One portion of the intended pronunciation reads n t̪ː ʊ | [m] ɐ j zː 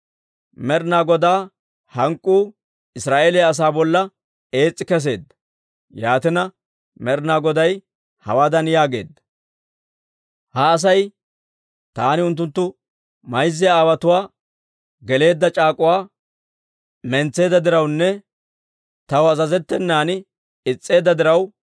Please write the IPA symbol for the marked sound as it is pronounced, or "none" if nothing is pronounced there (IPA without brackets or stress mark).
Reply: m